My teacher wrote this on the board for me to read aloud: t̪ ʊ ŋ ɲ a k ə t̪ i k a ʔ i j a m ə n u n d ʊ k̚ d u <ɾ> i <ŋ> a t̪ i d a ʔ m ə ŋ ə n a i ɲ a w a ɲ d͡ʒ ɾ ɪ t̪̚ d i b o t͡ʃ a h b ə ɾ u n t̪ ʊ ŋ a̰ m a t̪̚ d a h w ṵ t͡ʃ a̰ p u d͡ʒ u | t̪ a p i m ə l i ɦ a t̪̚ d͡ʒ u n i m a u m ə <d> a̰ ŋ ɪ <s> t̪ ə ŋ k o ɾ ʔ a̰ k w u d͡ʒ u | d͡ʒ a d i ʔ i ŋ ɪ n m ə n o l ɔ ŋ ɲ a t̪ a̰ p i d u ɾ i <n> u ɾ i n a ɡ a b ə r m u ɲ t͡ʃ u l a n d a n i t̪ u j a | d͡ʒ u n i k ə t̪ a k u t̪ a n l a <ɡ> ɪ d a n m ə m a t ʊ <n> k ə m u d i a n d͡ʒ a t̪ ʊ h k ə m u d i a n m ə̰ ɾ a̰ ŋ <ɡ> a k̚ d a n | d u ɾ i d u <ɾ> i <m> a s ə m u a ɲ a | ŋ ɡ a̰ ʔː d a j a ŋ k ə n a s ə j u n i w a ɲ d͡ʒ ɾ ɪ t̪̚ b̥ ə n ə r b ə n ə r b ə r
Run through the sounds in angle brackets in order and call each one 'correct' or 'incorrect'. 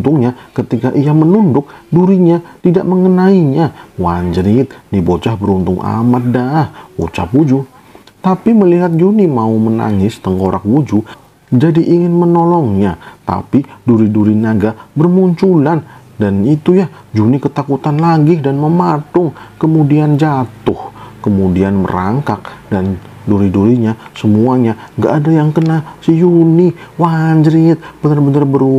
correct, incorrect: ɲ, incorrect: n, correct, incorrect: d, correct, incorrect: ŋ, incorrect: k, correct, incorrect: ɲ

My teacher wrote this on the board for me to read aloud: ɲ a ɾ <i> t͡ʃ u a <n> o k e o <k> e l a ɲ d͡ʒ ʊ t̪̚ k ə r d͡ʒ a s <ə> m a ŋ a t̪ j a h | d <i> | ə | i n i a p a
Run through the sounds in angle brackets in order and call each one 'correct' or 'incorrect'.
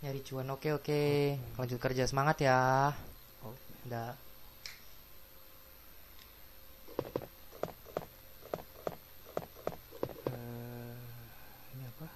correct, correct, correct, correct, incorrect: a

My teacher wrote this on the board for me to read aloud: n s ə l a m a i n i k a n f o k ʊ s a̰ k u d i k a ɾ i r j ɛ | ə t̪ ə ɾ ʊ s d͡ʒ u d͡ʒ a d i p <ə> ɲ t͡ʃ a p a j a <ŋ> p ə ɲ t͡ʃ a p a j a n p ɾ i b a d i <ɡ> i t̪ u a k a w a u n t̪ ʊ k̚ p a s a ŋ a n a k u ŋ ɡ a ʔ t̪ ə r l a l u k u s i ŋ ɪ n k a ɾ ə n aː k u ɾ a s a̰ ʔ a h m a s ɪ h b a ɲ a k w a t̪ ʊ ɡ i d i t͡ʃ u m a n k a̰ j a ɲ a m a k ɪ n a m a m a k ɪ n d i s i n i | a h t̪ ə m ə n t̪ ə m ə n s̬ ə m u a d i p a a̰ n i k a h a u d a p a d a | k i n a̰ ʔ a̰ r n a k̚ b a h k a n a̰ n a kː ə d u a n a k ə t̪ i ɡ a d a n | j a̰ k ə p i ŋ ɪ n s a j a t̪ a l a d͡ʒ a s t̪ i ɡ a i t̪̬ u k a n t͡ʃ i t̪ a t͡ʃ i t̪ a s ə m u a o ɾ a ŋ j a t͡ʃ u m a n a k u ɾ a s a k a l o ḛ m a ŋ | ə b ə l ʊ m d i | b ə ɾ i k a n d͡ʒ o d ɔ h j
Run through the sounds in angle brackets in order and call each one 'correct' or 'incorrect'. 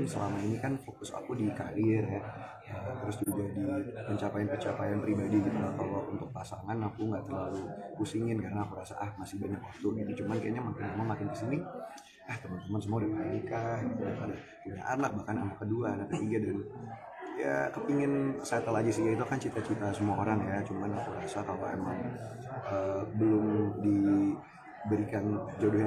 correct, incorrect: n, correct

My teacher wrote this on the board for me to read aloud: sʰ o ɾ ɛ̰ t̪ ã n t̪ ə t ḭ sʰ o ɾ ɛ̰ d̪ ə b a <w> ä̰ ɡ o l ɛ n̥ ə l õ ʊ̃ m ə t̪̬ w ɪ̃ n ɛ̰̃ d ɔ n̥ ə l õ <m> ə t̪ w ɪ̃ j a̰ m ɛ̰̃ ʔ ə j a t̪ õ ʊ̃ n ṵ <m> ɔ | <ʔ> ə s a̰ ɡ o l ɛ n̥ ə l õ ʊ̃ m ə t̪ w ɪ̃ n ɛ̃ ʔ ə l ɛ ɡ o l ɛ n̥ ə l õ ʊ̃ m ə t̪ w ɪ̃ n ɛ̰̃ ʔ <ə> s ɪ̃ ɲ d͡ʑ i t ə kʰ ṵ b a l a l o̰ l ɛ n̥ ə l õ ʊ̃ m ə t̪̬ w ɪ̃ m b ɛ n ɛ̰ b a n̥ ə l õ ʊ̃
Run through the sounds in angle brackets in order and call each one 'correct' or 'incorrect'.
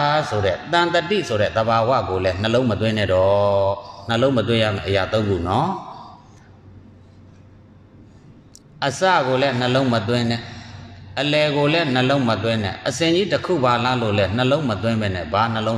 correct, correct, incorrect: n, correct, correct

